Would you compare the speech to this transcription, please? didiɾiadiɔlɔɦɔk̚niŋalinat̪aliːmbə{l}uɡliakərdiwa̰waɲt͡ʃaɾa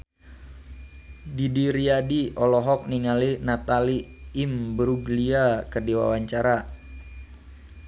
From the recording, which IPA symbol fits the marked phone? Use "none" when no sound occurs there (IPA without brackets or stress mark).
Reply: ɾ